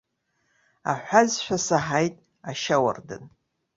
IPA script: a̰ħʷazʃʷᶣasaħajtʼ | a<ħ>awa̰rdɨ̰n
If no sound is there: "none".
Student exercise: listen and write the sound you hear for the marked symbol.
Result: ʃ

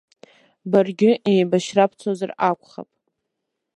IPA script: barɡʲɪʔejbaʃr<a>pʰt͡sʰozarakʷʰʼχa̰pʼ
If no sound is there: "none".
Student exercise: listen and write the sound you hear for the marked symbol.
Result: a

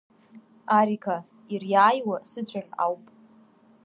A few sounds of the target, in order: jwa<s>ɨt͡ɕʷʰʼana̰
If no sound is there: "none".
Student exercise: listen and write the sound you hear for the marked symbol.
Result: s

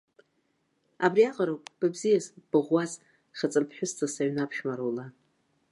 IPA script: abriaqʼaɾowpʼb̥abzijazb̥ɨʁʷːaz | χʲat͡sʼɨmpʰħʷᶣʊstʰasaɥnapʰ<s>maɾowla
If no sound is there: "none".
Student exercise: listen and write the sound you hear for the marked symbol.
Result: ʃ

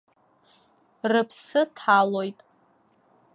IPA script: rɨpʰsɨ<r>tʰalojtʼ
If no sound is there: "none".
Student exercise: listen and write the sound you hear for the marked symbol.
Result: none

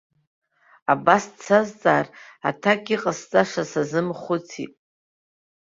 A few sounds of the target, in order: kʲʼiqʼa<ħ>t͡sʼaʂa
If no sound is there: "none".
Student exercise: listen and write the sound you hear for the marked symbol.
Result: s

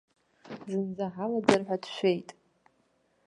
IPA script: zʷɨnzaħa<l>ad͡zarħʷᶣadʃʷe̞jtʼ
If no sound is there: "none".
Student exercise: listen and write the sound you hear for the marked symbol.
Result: l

